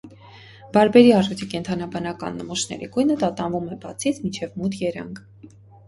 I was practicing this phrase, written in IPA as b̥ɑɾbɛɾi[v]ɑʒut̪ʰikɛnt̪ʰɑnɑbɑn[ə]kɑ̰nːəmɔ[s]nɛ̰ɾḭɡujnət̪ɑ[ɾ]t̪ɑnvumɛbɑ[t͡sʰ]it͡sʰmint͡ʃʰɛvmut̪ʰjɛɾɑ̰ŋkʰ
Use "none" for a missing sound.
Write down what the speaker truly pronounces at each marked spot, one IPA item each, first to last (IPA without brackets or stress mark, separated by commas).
none, ɑ, ʃ, none, t͡sʰ